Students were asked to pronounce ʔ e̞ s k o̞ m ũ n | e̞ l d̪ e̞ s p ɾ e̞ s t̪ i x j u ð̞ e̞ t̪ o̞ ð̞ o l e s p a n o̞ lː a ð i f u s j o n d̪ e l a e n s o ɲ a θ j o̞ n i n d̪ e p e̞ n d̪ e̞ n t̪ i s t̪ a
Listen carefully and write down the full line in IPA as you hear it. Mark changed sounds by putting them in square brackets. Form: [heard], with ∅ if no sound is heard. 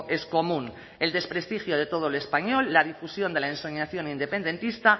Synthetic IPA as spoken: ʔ e̞ s k o̞ m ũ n | e̞ l d̪ e̞ s p ɾ e̞ s t̪ i x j [o] ð̞ e̞ t̪ o̞ ð̞ o l e s p a [ɲ] o̞ lː a ð i f u s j o n d̪ e l a e n s o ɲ a θ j o̞ n i n d̪ e p e̞ n d̪ e̞ n t̪ i s t̪ a